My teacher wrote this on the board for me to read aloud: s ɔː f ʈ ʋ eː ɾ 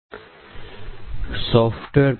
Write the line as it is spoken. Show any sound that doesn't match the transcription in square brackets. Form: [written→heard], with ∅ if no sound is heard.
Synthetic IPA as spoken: s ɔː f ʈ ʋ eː ɾ